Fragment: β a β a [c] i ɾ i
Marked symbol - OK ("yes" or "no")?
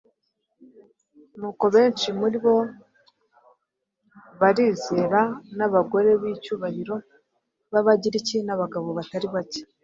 no